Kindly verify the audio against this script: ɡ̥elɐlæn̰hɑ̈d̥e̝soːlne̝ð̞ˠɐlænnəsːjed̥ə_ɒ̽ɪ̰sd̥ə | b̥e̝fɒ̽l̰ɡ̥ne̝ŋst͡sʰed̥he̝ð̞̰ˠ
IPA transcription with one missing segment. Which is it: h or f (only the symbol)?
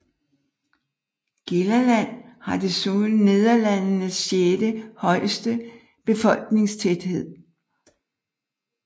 h